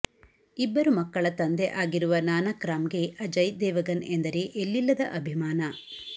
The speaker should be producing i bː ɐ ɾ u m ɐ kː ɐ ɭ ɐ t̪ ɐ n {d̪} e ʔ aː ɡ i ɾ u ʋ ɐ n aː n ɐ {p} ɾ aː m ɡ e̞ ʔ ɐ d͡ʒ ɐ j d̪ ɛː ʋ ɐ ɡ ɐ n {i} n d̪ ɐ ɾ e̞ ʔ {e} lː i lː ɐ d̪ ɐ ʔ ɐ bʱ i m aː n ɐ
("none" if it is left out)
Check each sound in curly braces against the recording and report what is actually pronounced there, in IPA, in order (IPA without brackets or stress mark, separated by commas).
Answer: d̪, k, e, e